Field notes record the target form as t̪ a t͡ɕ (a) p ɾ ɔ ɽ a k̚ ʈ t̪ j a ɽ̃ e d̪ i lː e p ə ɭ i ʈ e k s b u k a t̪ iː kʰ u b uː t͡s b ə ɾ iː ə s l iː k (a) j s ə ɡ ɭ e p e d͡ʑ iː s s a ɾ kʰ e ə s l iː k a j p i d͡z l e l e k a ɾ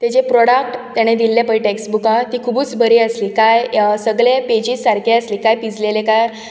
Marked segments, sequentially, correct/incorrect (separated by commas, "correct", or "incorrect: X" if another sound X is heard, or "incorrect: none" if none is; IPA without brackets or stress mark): incorrect: e, correct